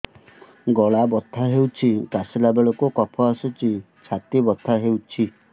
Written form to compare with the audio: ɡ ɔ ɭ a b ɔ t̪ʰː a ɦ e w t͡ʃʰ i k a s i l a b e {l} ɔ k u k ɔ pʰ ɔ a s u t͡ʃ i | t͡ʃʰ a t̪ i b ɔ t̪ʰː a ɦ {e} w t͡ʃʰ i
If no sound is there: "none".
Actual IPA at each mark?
ɭ, e

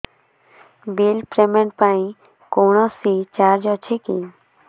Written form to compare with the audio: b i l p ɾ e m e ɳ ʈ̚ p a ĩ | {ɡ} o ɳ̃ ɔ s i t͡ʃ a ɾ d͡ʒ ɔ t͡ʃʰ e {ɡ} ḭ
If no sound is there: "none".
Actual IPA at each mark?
k, k

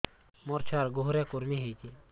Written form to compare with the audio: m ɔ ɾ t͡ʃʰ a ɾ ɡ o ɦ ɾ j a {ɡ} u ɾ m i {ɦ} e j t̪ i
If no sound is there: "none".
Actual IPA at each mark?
k, ɦ

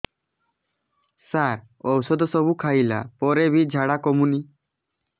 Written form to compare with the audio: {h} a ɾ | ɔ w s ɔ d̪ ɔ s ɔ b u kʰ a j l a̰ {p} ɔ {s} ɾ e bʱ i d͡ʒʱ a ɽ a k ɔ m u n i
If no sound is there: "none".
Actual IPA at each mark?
s, p, none

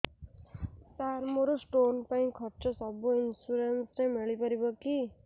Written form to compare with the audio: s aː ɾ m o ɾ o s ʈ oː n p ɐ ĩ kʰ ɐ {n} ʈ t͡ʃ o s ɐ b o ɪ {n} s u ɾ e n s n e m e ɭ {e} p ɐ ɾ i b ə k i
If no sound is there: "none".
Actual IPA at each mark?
none, n, i

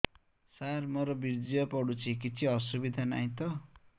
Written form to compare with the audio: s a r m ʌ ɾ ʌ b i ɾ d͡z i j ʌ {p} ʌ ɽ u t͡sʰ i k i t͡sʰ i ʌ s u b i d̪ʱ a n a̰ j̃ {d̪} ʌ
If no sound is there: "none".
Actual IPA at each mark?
p, t̪

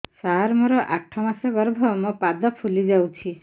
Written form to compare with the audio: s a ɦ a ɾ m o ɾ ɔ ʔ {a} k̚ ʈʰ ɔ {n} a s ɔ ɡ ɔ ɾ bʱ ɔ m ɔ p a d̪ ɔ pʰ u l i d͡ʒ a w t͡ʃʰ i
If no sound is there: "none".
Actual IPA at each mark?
a, m

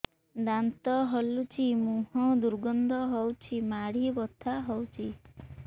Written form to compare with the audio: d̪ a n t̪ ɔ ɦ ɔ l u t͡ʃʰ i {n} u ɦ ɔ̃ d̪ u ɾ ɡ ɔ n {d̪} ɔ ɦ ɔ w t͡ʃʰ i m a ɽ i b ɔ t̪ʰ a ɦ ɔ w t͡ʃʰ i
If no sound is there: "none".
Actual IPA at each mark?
m, d̪

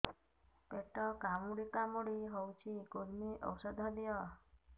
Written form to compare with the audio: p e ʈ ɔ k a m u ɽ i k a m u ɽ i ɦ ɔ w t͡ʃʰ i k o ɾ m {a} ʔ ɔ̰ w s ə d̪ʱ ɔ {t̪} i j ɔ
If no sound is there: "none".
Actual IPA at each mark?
i, d̪

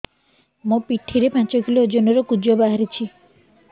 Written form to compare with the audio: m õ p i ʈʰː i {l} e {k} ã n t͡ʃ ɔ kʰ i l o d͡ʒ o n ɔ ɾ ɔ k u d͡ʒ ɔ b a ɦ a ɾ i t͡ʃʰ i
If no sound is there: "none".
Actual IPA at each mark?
ɾ, p

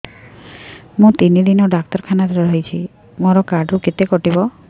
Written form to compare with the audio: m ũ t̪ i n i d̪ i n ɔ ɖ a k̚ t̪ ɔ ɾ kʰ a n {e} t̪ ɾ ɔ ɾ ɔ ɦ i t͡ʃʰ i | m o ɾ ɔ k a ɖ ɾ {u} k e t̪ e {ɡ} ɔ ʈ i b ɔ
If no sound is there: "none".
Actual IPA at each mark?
a, u, k

